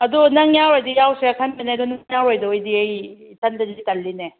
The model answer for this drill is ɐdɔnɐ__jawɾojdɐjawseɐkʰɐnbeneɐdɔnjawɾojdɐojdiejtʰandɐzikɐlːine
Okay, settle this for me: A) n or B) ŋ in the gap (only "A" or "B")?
B